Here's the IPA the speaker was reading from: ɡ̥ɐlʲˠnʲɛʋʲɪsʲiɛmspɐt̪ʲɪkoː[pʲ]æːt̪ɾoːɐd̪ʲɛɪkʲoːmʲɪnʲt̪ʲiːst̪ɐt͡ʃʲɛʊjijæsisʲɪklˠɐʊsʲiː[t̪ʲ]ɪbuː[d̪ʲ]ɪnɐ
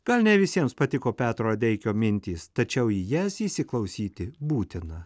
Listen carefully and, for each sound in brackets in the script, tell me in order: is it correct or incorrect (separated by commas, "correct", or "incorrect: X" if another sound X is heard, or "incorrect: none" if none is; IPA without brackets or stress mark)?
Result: correct, correct, incorrect: t̪ʲ